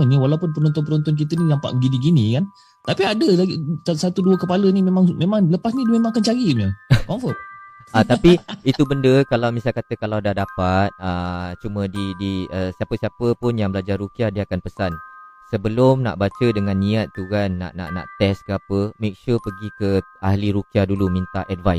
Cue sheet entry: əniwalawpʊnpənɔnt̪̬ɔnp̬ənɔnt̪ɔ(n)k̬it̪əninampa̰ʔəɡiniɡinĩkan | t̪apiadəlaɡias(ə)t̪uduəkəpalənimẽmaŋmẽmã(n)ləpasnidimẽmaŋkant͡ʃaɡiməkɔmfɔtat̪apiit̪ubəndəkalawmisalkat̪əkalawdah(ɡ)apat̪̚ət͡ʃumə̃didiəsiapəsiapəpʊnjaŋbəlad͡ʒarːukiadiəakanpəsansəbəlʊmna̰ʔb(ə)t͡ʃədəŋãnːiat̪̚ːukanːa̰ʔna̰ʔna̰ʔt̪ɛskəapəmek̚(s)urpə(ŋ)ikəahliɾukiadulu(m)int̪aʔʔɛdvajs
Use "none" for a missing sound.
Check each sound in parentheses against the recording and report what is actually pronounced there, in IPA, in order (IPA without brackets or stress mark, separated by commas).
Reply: n, a, ŋ, d, a, ʃ, ɡ, m